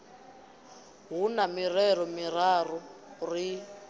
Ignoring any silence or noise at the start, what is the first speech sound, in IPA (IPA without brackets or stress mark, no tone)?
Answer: ɦ